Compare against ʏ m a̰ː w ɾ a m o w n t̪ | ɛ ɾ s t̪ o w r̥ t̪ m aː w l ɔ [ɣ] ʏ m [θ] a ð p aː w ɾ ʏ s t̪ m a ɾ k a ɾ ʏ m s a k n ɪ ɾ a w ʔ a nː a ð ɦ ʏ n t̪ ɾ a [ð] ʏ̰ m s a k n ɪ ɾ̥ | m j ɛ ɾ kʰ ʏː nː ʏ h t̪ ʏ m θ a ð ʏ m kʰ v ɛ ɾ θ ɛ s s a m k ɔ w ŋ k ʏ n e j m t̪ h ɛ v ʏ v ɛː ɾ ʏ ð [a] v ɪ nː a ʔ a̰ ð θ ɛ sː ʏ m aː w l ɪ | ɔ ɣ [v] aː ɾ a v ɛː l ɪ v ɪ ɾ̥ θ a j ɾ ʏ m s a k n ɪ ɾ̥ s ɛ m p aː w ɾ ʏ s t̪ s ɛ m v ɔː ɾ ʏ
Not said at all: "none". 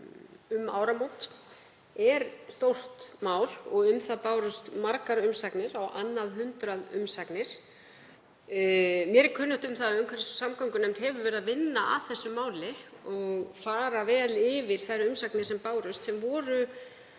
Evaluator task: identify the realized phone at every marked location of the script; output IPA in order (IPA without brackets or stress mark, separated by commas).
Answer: ɣ, θ, ð, a, f